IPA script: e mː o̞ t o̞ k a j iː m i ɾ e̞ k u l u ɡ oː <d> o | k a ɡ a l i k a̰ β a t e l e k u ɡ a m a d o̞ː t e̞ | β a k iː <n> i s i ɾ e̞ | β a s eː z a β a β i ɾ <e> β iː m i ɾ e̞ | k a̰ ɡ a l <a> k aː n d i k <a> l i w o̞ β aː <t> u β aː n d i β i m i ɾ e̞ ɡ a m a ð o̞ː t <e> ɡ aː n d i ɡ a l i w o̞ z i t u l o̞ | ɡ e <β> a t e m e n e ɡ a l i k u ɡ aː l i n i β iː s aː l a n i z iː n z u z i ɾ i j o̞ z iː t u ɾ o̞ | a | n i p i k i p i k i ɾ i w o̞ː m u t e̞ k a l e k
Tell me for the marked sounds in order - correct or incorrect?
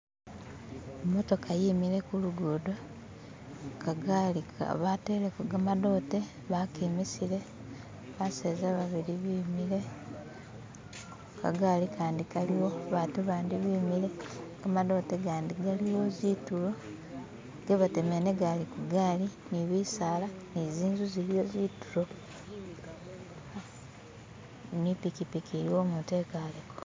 correct, incorrect: m, incorrect: i, incorrect: i, correct, correct, correct, correct

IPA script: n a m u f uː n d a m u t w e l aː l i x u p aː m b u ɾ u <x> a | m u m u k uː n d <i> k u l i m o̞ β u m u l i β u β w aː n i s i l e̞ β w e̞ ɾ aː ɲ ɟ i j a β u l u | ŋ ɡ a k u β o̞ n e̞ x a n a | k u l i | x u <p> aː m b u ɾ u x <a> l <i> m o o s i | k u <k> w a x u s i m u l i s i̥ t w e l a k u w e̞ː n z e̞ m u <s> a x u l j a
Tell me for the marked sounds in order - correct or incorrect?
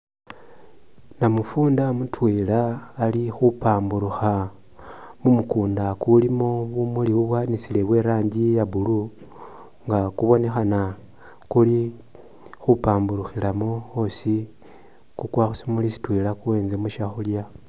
correct, incorrect: a, correct, incorrect: i, incorrect: a, correct, incorrect: ʃ

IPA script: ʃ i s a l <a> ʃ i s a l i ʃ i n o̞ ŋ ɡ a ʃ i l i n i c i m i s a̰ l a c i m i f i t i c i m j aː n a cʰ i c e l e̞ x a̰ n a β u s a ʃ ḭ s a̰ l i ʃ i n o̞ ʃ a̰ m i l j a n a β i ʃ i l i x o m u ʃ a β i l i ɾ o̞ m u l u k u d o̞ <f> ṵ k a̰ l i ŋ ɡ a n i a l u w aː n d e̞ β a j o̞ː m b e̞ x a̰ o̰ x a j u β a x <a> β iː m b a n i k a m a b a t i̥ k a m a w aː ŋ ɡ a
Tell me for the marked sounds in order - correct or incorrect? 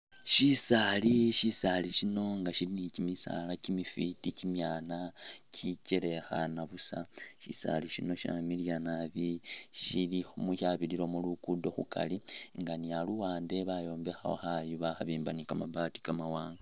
incorrect: i, incorrect: x, correct

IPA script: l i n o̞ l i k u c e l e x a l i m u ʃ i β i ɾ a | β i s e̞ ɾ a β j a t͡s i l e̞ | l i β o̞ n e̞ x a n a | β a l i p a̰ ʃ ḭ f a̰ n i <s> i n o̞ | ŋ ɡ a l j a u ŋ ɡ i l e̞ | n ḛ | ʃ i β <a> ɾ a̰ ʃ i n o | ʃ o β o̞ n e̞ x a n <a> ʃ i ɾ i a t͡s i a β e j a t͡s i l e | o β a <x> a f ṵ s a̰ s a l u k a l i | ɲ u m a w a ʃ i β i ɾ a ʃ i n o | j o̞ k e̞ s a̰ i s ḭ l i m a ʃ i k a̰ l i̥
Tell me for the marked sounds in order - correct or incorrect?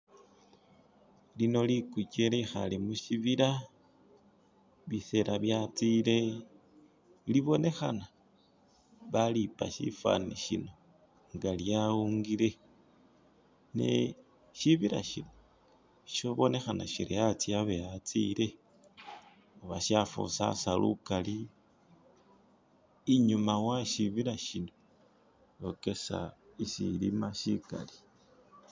incorrect: ʃ, incorrect: i, correct, incorrect: ʃ

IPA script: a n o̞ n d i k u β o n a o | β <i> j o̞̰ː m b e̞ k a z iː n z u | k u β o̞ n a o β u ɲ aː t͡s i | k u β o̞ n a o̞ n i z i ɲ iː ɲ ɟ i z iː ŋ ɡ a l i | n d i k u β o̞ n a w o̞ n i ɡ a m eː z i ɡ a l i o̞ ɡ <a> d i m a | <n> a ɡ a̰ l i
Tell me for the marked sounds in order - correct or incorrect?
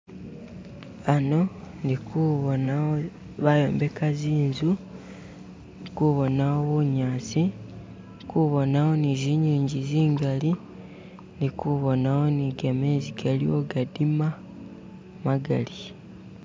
incorrect: a, correct, incorrect: m

